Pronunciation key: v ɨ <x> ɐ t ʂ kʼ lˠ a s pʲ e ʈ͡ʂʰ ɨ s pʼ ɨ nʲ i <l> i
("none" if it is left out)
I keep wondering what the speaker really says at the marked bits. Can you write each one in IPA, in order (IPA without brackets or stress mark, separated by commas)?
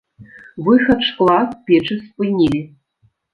x, l